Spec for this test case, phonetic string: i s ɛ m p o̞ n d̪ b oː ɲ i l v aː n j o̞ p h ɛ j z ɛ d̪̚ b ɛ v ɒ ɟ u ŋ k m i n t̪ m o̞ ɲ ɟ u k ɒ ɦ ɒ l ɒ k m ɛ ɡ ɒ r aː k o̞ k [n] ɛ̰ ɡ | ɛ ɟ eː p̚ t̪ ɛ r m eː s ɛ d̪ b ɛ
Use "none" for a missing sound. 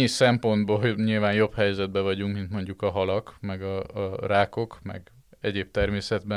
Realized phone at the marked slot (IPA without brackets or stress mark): m